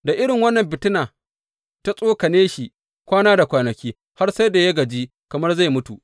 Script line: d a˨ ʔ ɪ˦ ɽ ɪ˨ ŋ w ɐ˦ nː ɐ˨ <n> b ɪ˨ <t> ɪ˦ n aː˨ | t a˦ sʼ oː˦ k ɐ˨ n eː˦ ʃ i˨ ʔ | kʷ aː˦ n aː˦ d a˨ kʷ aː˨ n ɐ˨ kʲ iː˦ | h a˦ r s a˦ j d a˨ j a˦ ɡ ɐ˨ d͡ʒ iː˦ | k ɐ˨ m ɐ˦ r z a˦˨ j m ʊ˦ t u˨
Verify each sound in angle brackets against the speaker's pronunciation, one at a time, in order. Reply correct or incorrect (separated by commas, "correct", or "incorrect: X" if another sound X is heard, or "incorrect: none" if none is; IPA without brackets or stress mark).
incorrect: m, correct